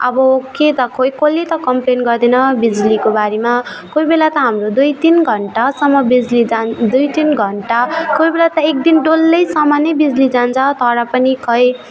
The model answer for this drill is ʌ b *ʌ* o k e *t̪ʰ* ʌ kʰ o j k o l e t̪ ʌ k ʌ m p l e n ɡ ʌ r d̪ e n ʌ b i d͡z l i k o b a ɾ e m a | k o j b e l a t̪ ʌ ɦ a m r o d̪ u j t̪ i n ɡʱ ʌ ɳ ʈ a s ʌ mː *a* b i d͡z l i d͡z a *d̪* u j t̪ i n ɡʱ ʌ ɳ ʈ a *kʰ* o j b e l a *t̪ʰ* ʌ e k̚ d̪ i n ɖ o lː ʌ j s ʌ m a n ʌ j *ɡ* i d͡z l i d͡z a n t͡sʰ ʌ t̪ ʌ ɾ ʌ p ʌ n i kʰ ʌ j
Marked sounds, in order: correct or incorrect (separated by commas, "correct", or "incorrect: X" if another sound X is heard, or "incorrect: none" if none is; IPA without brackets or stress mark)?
correct, incorrect: t̪, incorrect: ʌ, correct, incorrect: k, incorrect: t̪, incorrect: b